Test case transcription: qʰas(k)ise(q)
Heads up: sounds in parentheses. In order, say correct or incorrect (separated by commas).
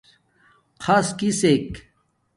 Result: correct, incorrect